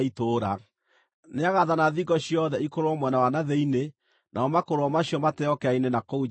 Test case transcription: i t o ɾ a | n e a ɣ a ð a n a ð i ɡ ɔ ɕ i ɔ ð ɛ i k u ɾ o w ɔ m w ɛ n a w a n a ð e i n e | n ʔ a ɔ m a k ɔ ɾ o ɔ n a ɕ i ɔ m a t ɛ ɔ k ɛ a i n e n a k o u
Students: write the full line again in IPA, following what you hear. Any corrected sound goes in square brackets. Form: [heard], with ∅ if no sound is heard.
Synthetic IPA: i t o ɾ a | n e a ɣ a ð a n a ð i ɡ ɔ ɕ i ɔ ð ɛ i k [o] ɾ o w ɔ m w ɛ n a w a n a ð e i n e | n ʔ a ɔ m a k [o] ɾ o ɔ [m] a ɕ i ɔ m a t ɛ ɔ k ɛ a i n e n a k o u